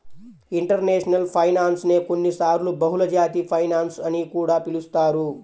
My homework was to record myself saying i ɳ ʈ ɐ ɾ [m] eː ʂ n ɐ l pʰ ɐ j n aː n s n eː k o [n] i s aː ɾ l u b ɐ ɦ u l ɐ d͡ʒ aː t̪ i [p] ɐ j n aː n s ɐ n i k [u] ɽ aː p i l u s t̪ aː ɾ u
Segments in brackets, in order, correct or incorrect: incorrect, incorrect, incorrect, incorrect

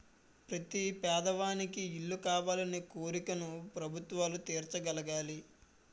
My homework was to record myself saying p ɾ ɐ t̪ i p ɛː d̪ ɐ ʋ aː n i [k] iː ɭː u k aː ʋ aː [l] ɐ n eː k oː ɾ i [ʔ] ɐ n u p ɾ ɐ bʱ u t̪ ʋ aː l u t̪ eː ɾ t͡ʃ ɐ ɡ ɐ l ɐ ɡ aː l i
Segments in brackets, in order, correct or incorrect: correct, correct, incorrect

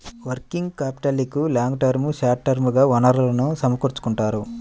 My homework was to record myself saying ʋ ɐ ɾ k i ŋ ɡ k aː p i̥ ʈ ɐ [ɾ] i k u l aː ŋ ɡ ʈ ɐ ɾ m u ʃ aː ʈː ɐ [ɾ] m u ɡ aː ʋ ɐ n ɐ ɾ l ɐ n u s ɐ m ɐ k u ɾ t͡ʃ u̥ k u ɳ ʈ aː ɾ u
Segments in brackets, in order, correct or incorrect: incorrect, correct

